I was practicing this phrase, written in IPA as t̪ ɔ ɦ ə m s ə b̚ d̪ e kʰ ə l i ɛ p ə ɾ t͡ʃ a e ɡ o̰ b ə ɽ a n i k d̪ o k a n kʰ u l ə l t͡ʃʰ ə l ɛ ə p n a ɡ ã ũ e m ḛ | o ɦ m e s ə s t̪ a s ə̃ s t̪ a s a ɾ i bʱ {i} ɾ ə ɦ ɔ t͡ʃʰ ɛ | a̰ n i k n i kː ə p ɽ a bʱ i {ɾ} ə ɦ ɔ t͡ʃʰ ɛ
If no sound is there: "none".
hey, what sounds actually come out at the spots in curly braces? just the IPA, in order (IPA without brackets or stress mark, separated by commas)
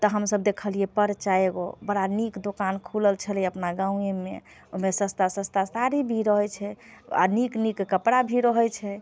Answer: i, ɾ